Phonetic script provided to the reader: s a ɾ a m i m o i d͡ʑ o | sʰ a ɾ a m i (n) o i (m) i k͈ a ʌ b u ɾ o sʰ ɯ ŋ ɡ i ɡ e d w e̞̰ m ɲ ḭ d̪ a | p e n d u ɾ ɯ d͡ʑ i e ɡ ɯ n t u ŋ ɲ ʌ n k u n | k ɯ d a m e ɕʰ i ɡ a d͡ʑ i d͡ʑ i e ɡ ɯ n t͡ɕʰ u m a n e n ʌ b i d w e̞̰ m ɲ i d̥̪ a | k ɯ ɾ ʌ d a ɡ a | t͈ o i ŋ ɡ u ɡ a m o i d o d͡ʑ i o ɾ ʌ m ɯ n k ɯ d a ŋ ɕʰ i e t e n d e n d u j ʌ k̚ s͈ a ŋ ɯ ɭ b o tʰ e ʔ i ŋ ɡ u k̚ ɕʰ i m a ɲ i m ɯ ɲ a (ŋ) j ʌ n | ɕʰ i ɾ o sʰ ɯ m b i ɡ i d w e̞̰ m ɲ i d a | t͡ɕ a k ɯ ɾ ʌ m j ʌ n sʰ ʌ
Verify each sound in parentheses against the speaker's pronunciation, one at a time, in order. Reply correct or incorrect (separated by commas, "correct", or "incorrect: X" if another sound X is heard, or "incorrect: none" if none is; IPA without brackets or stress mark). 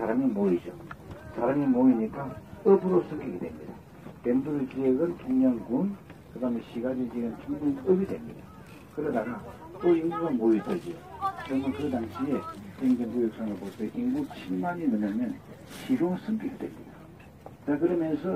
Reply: incorrect: m, incorrect: ɲ, incorrect: m